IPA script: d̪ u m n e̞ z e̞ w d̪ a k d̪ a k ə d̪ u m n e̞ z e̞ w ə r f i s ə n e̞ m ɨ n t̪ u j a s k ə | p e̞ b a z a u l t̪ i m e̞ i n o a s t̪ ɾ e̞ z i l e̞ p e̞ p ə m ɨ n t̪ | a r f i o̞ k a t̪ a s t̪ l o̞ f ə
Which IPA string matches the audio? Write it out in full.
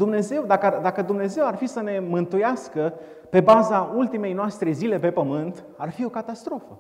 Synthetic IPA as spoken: d̪ u m n e̞ z e̞ w d̪ a k d̪ a k ə d̪ u m n e̞ z e̞ w a r f i s ə n e̞ m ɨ n t̪ u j a s k ə | p e̞ b a z a u l t̪ i m e̞ j n o a s t̪ ɾ e̞ z i l e̞ p e̞ p ə m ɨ n t̪ | a r f i o̞ k a t̪ a s t̪ ɾ o̞ f ə